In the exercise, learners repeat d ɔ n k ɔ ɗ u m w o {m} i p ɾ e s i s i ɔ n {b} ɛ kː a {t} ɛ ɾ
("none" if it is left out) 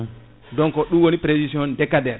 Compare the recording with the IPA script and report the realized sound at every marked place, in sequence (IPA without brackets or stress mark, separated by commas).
n, d, d